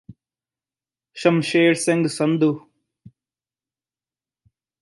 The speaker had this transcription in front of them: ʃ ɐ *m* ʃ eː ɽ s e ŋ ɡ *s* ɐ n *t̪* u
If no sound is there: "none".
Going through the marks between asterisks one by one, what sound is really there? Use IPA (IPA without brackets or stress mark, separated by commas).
m, s, d̪